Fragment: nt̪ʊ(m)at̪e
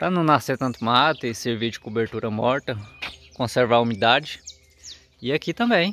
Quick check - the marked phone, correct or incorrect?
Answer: correct